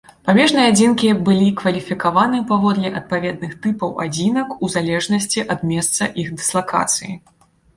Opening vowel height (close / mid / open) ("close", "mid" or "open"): open